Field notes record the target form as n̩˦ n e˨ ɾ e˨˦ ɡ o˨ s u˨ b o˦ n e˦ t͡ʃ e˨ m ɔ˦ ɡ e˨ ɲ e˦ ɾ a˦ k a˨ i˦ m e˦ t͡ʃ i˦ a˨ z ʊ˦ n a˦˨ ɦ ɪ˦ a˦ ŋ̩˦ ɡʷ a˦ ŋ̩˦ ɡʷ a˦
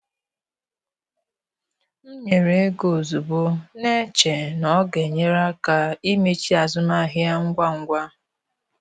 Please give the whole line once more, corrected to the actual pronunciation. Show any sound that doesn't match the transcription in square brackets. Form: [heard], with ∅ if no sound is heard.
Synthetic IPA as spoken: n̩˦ [ɲ] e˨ ɾ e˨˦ ɡ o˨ [z] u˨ b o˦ n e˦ t͡ʃ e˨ [n] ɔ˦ ɡ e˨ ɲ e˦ ɾ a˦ k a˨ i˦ m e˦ t͡ʃ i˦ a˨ z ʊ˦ n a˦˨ ɦ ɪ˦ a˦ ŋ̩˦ ɡʷ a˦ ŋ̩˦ ɡʷ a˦